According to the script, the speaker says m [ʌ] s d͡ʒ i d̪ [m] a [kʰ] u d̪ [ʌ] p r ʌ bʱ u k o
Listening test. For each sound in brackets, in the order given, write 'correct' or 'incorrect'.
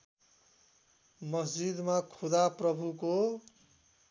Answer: correct, correct, correct, incorrect: a

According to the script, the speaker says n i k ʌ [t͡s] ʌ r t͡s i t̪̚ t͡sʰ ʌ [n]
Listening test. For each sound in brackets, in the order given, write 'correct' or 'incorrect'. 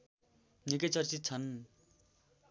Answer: correct, correct

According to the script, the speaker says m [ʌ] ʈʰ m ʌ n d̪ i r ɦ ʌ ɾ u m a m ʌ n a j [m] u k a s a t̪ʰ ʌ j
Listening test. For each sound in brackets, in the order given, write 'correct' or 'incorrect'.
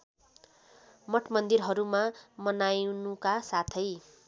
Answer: correct, incorrect: n

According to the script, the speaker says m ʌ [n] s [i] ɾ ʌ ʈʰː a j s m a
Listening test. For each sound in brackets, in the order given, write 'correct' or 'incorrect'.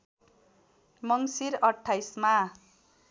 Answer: incorrect: ŋ, correct

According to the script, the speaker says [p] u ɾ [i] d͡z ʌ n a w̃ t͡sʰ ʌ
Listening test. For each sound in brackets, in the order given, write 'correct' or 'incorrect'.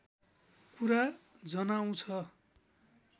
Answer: incorrect: k, incorrect: a

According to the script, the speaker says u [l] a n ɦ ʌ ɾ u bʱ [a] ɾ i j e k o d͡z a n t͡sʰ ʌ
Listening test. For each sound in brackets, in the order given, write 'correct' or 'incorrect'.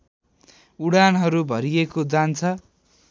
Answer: incorrect: ɽ, incorrect: ʌ

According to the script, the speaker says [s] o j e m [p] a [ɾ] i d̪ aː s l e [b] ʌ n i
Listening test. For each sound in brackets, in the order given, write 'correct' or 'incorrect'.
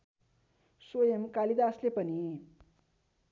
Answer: correct, incorrect: k, incorrect: l, incorrect: p

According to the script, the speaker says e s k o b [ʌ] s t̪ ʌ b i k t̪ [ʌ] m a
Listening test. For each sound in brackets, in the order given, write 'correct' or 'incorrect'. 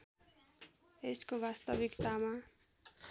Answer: incorrect: a, incorrect: a

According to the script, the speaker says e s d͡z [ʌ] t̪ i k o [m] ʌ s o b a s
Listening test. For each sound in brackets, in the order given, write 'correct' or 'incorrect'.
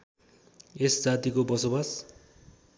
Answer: incorrect: a, incorrect: b

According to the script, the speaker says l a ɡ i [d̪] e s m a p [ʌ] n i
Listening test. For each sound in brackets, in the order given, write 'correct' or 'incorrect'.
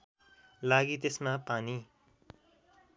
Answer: incorrect: t̪, incorrect: a

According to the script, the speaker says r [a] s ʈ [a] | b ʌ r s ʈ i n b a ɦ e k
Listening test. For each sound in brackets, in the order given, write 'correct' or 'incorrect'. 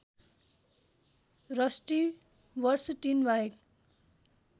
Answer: incorrect: ʌ, incorrect: i

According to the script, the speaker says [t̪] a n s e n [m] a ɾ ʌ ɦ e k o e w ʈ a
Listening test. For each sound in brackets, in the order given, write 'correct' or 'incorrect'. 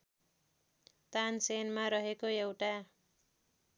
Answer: correct, correct

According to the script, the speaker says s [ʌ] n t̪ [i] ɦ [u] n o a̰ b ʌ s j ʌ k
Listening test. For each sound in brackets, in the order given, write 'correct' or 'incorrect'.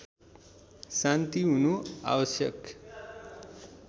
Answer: incorrect: a, correct, correct

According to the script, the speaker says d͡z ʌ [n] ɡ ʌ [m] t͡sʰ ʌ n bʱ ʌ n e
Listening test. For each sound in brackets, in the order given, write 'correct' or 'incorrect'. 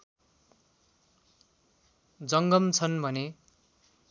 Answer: incorrect: ŋ, correct

